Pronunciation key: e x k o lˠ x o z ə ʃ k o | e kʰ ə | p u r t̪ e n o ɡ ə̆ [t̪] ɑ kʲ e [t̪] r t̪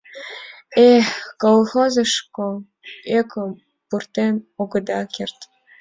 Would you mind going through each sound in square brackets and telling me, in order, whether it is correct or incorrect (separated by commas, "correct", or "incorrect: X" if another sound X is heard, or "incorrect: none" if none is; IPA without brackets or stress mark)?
incorrect: d̪, incorrect: none